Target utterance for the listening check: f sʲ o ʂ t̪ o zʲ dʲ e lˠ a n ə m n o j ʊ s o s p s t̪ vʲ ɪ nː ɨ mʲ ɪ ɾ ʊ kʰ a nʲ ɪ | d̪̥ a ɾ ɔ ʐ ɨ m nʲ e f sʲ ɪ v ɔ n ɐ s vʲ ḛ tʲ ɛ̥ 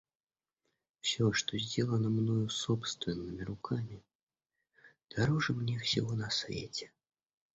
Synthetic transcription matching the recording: f sʲ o ʂ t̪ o zʲ dʲ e lˠ ə n ə m n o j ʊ s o p s t̪ vʲ ɪ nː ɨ mʲ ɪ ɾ ʊ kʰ a mʲ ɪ | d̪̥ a ɾ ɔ ʐ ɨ m nʲ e f sʲ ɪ v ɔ n ɐ s vʲ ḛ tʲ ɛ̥